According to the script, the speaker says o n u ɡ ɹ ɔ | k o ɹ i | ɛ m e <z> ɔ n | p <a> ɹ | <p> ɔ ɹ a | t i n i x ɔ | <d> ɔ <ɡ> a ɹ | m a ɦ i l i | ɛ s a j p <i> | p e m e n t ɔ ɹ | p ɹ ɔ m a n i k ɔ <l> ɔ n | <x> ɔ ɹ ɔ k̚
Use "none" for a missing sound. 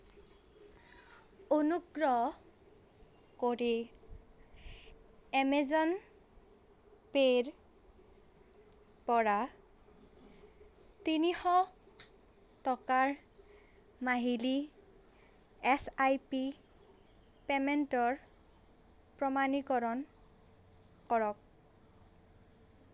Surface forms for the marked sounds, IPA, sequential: z, e, p, t, k, i, ɹ, k

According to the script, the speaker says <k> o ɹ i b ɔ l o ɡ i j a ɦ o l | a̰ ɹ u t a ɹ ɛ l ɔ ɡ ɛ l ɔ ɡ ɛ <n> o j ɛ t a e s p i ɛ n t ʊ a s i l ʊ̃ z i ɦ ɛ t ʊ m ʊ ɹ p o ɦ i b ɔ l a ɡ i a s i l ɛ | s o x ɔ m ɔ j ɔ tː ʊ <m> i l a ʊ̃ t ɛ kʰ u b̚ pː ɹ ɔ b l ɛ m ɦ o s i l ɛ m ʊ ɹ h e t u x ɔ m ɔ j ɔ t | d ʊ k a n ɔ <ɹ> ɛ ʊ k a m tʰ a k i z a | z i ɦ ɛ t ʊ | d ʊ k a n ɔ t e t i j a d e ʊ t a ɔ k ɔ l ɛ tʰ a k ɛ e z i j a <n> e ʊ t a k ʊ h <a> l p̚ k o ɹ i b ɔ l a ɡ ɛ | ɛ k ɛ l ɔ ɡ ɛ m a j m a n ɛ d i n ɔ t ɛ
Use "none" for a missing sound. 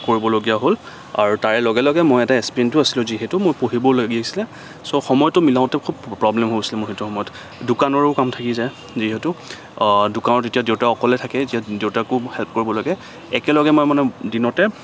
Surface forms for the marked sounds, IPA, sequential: k, m, m, ɹ, d, ɛ

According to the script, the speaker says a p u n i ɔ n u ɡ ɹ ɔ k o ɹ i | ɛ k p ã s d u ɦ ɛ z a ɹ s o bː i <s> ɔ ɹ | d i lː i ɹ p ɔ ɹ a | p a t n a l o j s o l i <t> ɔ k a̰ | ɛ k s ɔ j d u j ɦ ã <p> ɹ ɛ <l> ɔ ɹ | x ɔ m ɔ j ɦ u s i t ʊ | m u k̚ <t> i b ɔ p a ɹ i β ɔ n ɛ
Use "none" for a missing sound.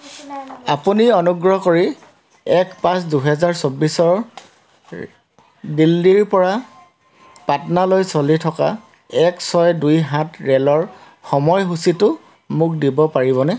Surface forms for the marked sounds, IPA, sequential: s, tʰ, t, l, d

